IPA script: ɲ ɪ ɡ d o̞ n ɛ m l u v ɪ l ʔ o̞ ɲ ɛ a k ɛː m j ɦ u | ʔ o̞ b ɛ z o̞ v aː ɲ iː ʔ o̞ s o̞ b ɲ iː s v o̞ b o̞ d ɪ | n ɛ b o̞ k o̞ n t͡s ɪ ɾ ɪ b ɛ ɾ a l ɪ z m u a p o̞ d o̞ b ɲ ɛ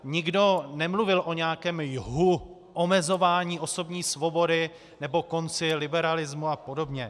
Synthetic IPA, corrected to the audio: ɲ ɪ ɡ d o̞ n ɛ m l u v ɪ l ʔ o̞ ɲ ɛ a k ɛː m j ɦ u | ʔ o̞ m ɛ z o̞ v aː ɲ iː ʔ o̞ s o̞ b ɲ iː s v o̞ b o̞ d ɪ | n ɛ b o̞ k o̞ n t͡s ɪ l ɪ b ɛ ɾ a l ɪ z m u a p o̞ d o̞ b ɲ ɛ